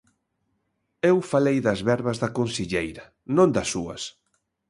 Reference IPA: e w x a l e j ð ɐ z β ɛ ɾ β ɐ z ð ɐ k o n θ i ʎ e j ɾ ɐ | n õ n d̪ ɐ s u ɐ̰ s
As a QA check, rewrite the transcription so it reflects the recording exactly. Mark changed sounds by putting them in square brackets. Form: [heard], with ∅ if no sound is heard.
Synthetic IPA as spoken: e w [f] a l e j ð ɐ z β ɛ ɾ β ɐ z ð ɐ k o n [s] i ʎ e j ɾ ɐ | n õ n d̪ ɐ s u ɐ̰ s

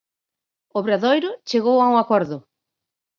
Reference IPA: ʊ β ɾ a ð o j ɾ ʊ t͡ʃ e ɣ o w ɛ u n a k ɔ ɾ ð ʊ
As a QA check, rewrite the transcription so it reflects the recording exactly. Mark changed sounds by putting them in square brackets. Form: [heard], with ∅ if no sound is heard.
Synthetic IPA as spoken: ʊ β ɾ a ð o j ɾ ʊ t͡ʃ e ɣ o w [a] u [ŋ] a k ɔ ɾ ð ʊ

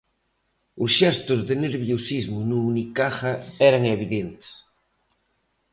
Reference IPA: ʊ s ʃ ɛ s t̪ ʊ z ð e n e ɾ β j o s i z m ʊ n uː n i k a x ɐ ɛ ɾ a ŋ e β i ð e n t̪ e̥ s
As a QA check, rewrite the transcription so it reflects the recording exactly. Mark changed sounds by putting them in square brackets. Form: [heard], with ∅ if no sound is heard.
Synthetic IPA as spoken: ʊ s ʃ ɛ s t̪ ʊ z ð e n e ɾ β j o s i z m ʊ n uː n i k a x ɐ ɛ ɾ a ŋ e β i ð e n t̪ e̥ s

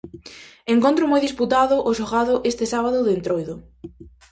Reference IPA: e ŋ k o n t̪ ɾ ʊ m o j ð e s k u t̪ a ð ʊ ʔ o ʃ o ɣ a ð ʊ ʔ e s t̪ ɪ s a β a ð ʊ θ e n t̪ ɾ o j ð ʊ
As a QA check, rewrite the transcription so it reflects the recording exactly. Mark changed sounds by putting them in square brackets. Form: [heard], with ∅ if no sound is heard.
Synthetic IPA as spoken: e ŋ k o n t̪ ɾ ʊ m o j ð [i] s [p] u t̪ a ð ʊ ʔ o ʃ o ɣ a ð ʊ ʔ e s t̪ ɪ s a β a ð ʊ [ð] e n t̪ ɾ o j ð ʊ

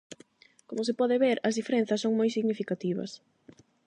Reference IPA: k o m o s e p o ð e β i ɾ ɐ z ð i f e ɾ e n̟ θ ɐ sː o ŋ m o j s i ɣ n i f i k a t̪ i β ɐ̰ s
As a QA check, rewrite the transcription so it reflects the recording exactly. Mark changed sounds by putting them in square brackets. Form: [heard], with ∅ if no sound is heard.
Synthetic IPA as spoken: k o m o s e p [ɔ] ð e β [e] ɾ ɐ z ð i f e ɾ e n̟ θ ɐ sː o ŋ m o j s i ɣ n i f i k a t̪ i β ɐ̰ s

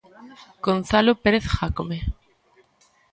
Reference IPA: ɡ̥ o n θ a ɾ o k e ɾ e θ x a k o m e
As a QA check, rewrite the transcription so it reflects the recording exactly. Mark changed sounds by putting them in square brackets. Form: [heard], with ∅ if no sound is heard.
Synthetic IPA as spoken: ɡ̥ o n θ a [l] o [p] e ɾ e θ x a k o m e

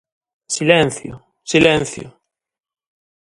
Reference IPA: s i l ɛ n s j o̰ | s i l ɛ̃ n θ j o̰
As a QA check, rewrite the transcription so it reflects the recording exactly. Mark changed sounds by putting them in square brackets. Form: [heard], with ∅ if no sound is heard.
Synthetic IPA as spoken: s i l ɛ n [θ] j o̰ | s i l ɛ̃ n θ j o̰

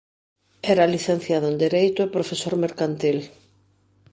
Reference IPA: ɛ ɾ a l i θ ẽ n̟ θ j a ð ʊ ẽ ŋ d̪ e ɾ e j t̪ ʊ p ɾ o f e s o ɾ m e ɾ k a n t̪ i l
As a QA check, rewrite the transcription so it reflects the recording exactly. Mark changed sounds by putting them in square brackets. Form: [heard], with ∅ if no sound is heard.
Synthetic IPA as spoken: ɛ ɾ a l i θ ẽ n̟ θ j a ð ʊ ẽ [n] d̪ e ɾ e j t̪ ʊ p ɾ o f e s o ɾ m e ɾ k a n t̪ i l

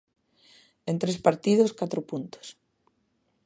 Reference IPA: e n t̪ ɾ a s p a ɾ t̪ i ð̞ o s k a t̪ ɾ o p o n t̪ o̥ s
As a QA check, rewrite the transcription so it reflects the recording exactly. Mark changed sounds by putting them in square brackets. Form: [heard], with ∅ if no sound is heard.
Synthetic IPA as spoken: e n t̪ ɾ [e] s p a ɾ t̪ i ð̞ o s k a t̪ ɾ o p [u] n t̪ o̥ s

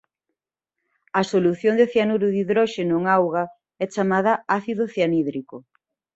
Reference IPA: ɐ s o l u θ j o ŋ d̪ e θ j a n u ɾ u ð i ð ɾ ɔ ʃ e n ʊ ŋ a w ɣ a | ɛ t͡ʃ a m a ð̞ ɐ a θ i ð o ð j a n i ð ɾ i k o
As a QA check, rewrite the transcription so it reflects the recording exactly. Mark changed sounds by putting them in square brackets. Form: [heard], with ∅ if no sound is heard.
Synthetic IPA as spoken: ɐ s o l u θ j o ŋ d̪ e θ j a n u ɾ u ð i ð ɾ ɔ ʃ e n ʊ ŋ a w ɣ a | ɛ t͡ʃ a m a ð̞ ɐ a θ i ð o [θ] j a n i ð ɾ i k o

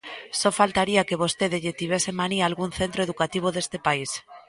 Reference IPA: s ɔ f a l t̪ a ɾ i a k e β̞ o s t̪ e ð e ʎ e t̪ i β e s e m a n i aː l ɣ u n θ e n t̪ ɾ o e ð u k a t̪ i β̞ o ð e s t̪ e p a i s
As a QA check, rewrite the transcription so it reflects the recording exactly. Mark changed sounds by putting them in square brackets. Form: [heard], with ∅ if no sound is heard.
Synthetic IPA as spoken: s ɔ f a l t̪ a ɾ i a k e β̞ o s t̪ e ð e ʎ e t̪ i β e s e m a n i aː l ɣ u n θ e n t̪ ɾ o e ð u k a t̪ i β̞ o ð e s t̪ e p a i s

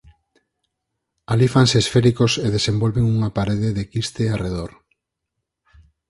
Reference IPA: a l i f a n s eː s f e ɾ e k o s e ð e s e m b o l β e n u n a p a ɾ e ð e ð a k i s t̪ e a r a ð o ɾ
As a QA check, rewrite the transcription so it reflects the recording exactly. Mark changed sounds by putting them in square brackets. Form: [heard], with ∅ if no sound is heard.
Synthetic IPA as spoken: a l i f a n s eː s f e ɾ [i] k o s e ð e s e m b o l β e [ŋ] u [ŋ] a p a ɾ e ð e ð [e] k i s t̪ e a r [e] ð o ɾ

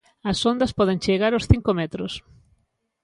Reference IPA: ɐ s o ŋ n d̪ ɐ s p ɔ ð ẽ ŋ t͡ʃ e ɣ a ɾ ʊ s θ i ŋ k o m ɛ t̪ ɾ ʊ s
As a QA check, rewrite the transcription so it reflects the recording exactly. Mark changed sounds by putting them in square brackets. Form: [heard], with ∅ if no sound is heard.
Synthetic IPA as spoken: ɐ s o [∅] n d̪ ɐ s p ɔ ð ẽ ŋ t͡ʃ e ɣ a ɾ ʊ s θ i ŋ k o m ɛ t̪ ɾ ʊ s

